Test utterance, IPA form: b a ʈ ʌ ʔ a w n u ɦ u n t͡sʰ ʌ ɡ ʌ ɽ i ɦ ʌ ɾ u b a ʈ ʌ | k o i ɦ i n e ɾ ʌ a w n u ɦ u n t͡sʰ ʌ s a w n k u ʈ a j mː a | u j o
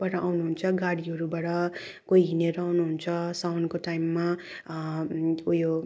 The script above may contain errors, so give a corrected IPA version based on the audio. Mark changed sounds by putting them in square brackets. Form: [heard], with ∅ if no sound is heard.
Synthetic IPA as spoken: b a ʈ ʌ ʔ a w n u ɦ u n t͡sʰ ʌ ɡ [a] ɽ i ɦ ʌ ɾ u b a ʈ ʌ | k o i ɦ i n e ɾ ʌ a w n u ɦ u n t͡sʰ ʌ s a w n k [o] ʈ a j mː a | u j o